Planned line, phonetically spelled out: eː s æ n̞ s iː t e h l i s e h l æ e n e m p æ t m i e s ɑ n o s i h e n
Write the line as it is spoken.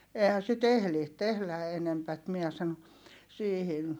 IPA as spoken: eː h æ n̞ s i t e h l i t e h l æ e n e m p æ t m i ɛ s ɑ n o s iː h i n

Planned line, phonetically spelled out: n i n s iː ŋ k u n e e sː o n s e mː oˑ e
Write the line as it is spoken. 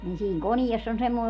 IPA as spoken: n i n s iː ŋ k o n i e sː o n s e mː oˑ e

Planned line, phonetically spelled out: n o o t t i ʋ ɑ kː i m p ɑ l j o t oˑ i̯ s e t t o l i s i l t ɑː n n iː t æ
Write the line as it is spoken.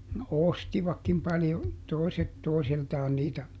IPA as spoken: n o o s t i ʋ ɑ kː i m p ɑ l j o t oˑ i̯ s e t t o i s i l t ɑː n n iː t æ

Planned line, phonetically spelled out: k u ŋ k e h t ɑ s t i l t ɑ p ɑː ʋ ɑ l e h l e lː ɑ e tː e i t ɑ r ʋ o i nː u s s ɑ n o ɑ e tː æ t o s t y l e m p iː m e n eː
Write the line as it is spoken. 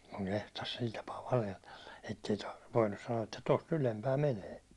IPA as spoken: k u ŋ k e h t ɑ s s i l t ɑ p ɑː ʋ ɑ l e h l e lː ɑ e tː e i t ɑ r ʋ o i nː u s s ɑ n o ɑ e tː æ t o s t y l e m p æː m e n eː

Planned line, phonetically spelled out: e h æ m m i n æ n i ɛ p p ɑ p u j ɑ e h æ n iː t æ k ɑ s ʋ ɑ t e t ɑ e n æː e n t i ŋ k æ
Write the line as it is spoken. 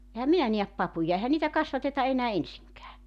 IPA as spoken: e h æ m m i n æ n i æ p p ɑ p u j ɑ e h æ n iː t æ k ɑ s ʋ ɑ t e t ɑ e n æː e n s i ŋ k æː

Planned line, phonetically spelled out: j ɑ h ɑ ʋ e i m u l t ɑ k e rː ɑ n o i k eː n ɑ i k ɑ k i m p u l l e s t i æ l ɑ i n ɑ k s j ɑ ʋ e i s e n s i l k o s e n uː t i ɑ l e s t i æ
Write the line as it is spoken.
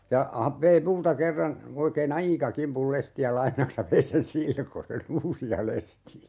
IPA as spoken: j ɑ h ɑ ʋ e i m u l t ɑ k e rː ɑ n o i k eː n ɑ i k ɑ k i m p u l l e s t i æ l ɑ i n ɑ k s j ɑ ʋ e i s e n s i l k o s e n uː s i ɑ l e s t i æ

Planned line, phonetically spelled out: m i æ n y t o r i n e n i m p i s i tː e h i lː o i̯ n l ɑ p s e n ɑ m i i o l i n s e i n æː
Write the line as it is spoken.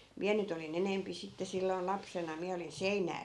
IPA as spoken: m i æ n y t o l i n e n e m p i s i tː e s i lː o i̯ n l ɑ p s e n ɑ m i æ o l i n s e i n æː

